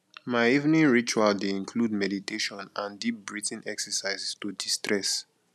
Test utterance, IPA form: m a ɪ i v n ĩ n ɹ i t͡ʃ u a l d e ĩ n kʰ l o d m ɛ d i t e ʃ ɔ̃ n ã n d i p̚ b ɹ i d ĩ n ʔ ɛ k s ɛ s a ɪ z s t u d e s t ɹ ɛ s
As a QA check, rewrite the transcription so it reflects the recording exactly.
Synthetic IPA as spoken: m a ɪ i v n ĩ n ɹ i t͡ʃ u a l d e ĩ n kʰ l u d m ɛ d i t e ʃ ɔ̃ n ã n d i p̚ b ɹ i t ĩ n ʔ ɛ k s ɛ s a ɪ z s t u d i s t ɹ ɛ s

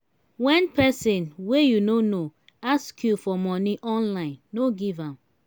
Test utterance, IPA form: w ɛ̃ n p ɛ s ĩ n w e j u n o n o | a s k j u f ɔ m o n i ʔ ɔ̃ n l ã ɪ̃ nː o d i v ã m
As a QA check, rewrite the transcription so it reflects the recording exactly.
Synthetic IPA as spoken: w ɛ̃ n p ɛ s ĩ n w e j u n o n o | a s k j u f ɔ m ɔ n i ʔ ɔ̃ n l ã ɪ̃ nː o ɡ i v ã m

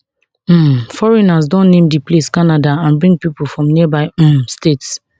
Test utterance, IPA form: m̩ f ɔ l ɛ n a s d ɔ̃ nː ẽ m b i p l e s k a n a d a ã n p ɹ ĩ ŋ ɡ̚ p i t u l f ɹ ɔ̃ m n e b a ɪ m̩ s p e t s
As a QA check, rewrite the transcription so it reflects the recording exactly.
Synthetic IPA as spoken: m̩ f ɔ ɹ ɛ n a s d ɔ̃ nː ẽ m d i p l e s k a n a d a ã n b ɹ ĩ ŋ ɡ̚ p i p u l f ɹ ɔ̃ m n i b a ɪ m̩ s t e t s

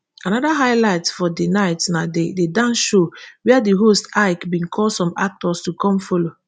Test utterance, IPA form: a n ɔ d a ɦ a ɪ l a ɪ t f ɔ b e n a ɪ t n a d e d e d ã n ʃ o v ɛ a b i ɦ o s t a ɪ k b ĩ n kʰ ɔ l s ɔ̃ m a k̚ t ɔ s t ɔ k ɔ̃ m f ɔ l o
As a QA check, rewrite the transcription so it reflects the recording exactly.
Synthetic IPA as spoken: a n ɔ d a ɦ a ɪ l a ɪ t f ɔ d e n a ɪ t n a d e d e d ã n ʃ o w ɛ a d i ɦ o s t a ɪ k b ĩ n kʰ ɔ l s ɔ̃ m a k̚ t ɔ s t u k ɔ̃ m f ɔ l o

